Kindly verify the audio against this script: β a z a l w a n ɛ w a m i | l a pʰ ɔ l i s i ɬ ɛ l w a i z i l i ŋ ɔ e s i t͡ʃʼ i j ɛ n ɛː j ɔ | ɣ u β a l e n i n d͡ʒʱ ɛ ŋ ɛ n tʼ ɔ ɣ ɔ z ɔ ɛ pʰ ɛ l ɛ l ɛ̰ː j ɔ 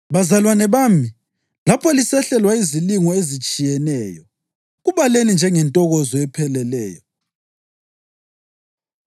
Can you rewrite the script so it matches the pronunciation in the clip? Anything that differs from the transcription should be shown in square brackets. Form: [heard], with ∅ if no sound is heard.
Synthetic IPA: β a z a l w a n ɛ [β] a m i | l a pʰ ɔ l i s [ɛ] ɬ ɛ l w a i z i l i ŋ ɔ e [z] i t͡ʃʼ i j ɛ n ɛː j ɔ | ɣ u β a l e n i n d͡ʒʱ ɛ ŋ ɛ n tʼ ɔ ɣ ɔ z ɔ ɛ pʰ ɛ l ɛ l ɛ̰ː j ɔ